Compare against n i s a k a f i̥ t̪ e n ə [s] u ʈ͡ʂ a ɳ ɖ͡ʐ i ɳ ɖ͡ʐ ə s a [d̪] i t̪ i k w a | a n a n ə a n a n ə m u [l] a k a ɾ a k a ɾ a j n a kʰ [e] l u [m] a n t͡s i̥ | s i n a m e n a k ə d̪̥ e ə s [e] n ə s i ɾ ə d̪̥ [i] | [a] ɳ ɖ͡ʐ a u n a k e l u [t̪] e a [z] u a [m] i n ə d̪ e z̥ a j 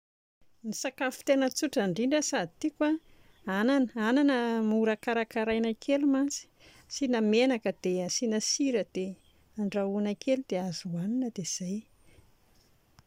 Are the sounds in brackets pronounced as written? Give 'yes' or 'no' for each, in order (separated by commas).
no, yes, no, yes, yes, no, no, yes, no, yes, no